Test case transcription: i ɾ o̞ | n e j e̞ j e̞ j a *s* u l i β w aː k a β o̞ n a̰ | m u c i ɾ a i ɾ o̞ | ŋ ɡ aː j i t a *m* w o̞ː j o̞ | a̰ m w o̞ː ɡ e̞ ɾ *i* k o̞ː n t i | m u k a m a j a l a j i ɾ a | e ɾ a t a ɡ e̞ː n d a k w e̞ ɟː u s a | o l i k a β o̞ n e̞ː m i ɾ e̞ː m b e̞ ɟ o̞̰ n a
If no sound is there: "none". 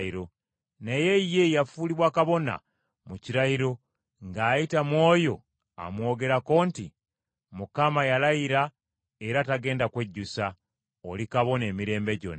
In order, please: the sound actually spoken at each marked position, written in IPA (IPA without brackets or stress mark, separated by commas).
f, m, a